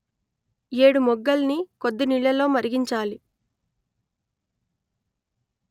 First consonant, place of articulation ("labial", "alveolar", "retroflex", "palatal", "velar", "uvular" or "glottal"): retroflex